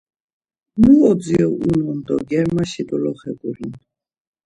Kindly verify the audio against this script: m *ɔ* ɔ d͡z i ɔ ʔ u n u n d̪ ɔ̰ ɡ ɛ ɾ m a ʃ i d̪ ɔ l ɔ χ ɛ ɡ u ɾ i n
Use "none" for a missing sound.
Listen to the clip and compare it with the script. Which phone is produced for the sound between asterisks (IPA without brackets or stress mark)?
u